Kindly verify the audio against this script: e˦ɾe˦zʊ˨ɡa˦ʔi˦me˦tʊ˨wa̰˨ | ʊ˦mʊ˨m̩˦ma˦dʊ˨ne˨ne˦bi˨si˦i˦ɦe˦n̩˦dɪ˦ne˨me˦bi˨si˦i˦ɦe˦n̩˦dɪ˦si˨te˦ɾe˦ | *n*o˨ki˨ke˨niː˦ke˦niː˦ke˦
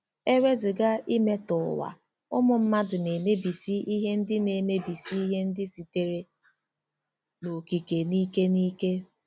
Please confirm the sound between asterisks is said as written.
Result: yes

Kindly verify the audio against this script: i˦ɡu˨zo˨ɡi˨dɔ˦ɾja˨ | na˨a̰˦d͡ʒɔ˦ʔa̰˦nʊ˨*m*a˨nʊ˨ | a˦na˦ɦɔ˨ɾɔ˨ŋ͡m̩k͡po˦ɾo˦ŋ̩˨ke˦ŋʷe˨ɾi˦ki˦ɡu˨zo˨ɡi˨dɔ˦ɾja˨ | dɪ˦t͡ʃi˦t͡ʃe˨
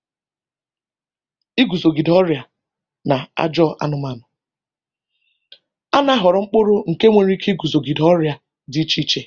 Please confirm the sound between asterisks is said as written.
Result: yes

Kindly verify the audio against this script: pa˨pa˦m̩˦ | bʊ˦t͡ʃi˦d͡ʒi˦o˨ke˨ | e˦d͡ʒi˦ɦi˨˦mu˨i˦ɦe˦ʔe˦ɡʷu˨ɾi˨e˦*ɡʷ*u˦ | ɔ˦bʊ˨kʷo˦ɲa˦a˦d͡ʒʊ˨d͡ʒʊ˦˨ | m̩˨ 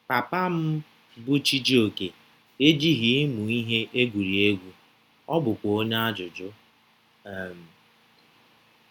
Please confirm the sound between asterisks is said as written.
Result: yes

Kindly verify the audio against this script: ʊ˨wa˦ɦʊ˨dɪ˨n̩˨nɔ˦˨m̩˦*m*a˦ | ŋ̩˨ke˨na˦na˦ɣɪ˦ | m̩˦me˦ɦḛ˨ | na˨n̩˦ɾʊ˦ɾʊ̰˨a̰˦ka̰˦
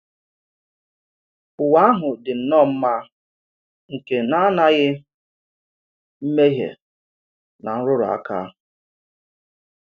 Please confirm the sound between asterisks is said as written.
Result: yes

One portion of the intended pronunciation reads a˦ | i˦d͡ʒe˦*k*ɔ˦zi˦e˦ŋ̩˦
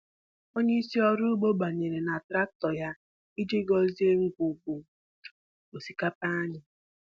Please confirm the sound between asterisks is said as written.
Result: no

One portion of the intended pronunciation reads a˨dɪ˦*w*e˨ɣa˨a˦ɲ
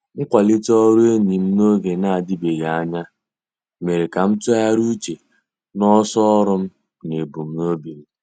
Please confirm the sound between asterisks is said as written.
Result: no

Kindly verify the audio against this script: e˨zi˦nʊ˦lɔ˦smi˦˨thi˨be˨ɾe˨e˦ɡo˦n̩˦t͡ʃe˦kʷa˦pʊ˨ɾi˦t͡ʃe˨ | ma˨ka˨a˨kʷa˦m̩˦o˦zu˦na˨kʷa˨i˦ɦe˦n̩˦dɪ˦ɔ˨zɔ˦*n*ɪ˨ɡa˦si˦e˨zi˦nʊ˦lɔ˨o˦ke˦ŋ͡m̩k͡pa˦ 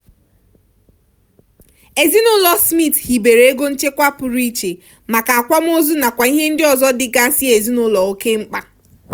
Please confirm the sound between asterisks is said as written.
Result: no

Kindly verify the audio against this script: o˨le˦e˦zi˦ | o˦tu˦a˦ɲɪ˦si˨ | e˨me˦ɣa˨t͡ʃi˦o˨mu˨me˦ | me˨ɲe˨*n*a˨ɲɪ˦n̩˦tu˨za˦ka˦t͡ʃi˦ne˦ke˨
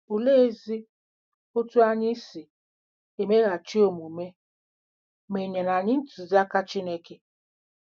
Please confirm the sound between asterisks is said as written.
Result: yes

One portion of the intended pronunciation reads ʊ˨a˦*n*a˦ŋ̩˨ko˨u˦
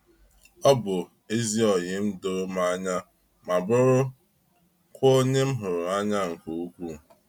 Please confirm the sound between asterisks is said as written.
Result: no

